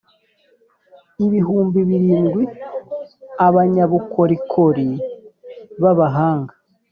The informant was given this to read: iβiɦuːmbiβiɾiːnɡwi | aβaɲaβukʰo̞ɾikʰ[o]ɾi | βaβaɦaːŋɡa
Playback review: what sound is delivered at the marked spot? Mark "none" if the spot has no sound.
o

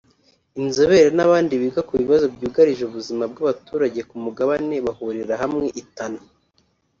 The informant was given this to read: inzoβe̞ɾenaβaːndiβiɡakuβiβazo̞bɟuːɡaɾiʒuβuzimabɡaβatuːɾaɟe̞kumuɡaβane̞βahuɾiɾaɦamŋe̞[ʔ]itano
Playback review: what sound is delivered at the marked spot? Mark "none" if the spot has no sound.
ʔ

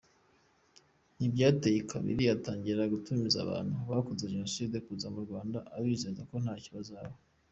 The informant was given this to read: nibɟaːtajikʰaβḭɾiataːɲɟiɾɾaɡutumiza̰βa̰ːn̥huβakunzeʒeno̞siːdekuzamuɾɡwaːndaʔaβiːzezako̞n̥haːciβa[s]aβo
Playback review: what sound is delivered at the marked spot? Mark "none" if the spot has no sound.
z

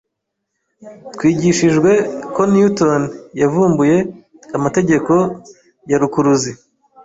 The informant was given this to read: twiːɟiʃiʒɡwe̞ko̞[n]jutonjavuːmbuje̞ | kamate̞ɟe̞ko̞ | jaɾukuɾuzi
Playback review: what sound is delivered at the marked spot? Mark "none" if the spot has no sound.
n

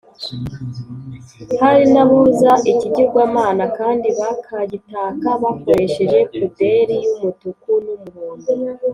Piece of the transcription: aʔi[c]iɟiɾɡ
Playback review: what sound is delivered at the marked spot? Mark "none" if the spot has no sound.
c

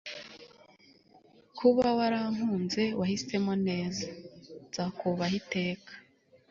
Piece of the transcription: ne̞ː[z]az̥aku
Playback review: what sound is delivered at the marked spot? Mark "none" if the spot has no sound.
z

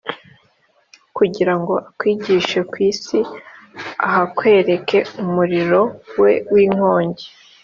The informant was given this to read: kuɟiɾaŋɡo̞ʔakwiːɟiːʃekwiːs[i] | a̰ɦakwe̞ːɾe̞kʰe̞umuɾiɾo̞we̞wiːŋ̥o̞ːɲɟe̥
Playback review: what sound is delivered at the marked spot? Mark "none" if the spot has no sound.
i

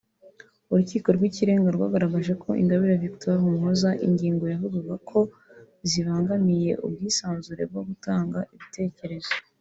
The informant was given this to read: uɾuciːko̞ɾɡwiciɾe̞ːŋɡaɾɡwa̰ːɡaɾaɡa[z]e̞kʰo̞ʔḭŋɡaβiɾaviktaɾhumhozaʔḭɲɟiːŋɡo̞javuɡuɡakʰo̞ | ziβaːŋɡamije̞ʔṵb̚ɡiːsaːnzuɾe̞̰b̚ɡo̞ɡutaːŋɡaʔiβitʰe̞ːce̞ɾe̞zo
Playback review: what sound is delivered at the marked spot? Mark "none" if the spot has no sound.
ʒ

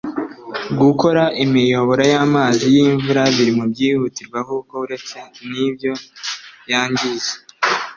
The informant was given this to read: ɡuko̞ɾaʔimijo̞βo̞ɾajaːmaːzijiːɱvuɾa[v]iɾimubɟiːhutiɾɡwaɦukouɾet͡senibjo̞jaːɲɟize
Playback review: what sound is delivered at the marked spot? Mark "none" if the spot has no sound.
β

